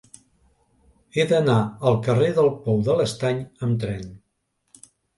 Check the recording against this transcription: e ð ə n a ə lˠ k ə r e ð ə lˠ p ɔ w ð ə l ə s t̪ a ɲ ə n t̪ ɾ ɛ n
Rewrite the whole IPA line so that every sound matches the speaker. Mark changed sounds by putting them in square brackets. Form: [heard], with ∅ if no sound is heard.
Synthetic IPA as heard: e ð ə n a ə lˠ k ə r e ð ə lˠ p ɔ w ð ə l ə s t̪ a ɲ ə [m] t̪ ɾ ɛ n